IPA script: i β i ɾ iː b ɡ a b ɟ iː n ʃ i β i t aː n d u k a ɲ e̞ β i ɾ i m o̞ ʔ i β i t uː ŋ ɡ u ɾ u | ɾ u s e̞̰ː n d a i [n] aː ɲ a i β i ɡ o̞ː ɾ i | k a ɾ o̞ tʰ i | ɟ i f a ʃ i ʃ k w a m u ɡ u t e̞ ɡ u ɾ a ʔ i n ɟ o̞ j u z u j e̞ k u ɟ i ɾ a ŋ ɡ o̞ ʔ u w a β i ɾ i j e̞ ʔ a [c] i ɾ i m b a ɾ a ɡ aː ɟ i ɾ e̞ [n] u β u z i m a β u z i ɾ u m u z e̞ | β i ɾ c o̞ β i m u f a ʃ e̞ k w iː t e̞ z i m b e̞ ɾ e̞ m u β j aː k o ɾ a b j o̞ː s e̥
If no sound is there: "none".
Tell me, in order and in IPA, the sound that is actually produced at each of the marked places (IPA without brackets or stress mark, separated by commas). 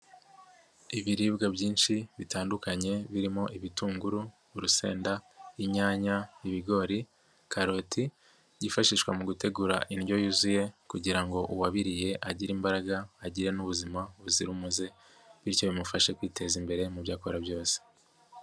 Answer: ɲ, ɟ, n